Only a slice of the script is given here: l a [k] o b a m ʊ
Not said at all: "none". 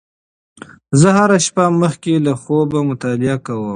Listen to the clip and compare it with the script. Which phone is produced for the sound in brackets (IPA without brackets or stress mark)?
x